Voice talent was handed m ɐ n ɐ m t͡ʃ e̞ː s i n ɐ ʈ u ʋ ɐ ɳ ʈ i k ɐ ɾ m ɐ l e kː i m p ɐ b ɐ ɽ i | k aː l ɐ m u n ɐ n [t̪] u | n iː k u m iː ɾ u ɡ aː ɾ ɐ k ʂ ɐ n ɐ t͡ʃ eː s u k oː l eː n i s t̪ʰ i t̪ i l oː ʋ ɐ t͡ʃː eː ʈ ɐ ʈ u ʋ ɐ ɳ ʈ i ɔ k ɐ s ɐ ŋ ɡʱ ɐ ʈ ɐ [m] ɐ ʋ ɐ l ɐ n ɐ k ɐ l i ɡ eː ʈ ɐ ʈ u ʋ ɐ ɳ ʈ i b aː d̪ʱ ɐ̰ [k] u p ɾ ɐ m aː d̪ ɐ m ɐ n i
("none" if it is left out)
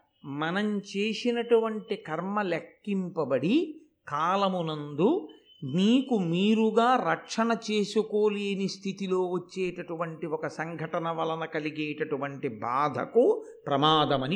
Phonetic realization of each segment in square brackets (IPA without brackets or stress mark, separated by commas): d̪, n, k